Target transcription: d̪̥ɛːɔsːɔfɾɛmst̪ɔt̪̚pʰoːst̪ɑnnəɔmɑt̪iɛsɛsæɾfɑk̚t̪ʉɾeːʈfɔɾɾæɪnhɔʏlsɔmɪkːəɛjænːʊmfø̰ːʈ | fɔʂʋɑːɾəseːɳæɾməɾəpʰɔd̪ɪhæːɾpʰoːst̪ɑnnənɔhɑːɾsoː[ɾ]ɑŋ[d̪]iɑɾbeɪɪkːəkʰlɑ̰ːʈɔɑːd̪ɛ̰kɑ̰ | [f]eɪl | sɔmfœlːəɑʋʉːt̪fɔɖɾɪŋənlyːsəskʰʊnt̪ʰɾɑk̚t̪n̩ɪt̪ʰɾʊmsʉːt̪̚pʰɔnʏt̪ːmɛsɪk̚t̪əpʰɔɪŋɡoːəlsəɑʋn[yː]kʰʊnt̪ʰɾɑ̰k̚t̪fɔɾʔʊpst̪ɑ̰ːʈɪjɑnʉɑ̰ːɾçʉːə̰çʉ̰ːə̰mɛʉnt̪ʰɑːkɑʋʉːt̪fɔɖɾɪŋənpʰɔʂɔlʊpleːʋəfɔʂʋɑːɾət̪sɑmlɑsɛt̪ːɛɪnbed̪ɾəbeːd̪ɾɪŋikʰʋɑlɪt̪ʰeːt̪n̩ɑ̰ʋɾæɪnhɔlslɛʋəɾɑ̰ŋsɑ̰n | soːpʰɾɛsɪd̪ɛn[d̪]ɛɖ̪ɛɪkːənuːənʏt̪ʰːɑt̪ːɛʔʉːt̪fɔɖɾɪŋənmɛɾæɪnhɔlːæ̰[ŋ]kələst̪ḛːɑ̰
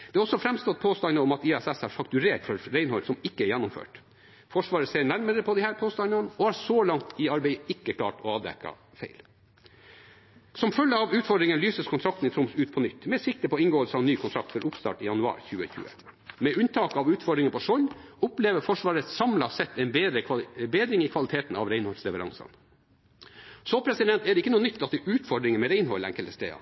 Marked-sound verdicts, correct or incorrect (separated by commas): incorrect, incorrect, correct, correct, incorrect, correct